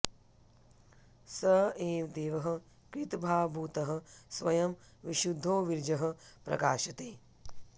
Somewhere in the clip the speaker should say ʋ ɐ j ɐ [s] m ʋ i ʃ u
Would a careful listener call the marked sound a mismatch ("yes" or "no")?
yes